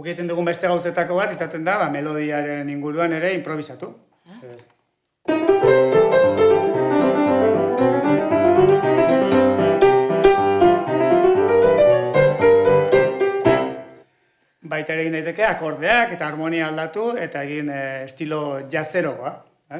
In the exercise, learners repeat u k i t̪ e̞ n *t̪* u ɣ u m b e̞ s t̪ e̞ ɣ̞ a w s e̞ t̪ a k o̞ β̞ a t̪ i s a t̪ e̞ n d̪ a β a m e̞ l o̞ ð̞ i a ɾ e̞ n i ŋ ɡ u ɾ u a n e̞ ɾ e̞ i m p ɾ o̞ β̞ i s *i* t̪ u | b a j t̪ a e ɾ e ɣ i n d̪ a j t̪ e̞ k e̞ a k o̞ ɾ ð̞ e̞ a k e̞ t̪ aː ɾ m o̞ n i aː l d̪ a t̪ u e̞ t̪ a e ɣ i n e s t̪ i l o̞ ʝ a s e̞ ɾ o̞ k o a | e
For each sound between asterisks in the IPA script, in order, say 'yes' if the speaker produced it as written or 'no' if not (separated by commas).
no, no